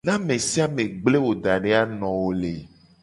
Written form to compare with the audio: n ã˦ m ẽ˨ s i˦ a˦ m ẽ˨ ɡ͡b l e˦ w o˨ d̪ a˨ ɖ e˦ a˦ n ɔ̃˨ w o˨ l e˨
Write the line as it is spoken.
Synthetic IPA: n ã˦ m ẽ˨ s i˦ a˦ m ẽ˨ ɡ͡b l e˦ w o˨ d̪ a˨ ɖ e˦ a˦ n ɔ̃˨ w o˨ l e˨